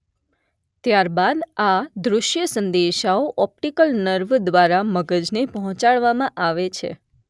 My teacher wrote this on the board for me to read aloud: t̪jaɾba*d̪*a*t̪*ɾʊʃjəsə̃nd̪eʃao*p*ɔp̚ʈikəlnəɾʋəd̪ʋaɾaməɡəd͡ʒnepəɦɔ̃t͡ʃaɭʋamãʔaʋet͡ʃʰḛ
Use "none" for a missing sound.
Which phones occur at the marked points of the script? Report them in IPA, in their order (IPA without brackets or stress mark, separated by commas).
d̪, d̪, ʔ